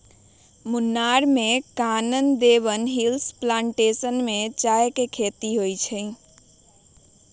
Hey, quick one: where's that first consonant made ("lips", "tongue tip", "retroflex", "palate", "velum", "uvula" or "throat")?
lips